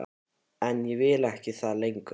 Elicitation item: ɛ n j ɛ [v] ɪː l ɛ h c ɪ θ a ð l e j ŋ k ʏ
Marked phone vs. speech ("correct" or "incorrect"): correct